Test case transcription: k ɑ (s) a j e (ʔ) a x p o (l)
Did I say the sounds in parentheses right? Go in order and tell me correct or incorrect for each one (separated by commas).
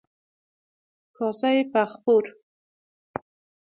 correct, incorrect, incorrect